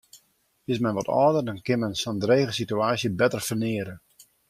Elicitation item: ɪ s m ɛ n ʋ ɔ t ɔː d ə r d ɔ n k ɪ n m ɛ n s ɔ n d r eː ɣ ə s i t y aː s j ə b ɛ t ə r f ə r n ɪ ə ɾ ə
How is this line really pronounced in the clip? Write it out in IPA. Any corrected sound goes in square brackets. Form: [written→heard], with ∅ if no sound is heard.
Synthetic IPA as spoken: ɪ s m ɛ n ʋ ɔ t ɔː d ə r d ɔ n k ɪ n m ɛ n s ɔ n d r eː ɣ ə s i t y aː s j ə b ɛ t ə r f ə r n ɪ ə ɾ ə